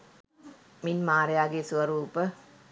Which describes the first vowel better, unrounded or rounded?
unrounded